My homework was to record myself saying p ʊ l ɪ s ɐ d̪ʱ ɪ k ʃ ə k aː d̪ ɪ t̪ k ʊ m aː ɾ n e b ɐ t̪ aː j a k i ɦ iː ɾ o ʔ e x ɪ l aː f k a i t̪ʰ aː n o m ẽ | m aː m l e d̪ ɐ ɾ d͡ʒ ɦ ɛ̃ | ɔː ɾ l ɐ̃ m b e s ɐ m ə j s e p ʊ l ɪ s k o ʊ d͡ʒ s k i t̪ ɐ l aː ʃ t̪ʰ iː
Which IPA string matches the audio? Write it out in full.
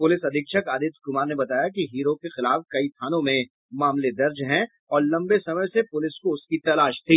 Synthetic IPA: p ʊ l ɪ s ɐ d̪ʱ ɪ k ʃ ə k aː d̪ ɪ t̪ k ʊ m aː ɾ n e b ɐ t̪ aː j a k i ɦ iː ɾ o k e x ɪ l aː f k ɐ i t̪ʰ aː n õ m ẽ | m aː m l e d̪ ɐ ɾ d͡ʒ ɦ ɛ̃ | ɔː ɾ l ɐ̃ m b e s ɐ m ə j s e p ʊ l ɪ s k o ʊ s k i t̪ ɐ l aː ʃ t̪ʰ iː